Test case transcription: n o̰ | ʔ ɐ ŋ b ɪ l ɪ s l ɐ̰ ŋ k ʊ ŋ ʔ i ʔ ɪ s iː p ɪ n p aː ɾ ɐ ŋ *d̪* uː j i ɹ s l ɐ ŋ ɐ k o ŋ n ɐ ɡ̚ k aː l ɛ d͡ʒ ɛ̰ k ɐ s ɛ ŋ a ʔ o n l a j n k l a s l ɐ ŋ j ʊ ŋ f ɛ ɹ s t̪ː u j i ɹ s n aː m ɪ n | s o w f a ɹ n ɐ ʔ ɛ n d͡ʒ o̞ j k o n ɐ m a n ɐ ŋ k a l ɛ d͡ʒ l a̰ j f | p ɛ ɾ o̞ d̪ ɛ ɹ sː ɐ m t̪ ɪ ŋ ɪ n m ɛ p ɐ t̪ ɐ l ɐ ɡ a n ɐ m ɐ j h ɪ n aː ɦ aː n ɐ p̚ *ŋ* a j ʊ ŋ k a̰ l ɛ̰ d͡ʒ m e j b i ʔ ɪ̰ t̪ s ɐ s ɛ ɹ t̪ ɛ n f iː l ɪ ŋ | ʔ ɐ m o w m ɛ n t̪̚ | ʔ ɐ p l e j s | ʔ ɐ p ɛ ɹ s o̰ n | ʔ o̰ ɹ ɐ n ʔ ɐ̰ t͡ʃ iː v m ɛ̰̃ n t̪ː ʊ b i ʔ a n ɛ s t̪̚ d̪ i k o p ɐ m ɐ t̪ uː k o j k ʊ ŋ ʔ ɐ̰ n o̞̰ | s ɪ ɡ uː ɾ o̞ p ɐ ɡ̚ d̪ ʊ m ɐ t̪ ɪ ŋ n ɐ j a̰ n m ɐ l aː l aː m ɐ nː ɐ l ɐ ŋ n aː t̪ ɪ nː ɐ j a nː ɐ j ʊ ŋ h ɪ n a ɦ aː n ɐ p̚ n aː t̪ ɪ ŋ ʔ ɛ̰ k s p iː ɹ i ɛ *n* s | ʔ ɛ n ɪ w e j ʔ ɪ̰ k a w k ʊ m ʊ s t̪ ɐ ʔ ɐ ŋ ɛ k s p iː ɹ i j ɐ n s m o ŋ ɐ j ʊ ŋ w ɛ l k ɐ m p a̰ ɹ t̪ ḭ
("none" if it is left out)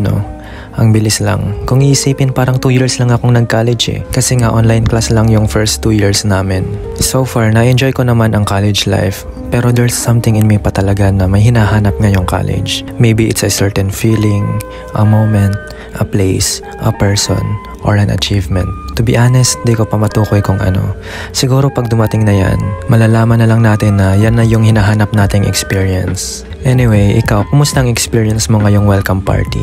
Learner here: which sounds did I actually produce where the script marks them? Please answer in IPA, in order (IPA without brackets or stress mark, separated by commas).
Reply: t̪, ŋ, n